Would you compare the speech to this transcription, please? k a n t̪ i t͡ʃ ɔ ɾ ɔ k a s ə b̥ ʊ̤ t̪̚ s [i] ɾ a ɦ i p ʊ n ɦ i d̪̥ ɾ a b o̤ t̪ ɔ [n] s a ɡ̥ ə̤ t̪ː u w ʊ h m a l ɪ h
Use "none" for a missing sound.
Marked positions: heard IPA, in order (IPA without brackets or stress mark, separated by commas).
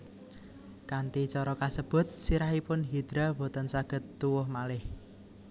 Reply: i, n